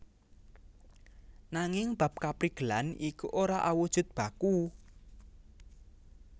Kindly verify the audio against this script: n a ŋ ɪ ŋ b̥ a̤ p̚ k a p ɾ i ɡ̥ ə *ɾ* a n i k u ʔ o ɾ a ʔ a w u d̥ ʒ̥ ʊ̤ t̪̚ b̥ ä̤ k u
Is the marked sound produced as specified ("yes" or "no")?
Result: no